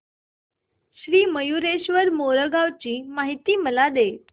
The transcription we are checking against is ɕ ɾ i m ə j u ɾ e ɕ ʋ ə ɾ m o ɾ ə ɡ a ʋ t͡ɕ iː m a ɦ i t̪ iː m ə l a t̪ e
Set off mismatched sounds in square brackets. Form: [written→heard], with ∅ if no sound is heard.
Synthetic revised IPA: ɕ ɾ [i→iː] m ə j u ɾ e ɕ ʋ ə ɾ m o ɾ ə ɡ a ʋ t͡ɕ iː m a ɦ i t̪ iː m ə l a [t̪→d̪] e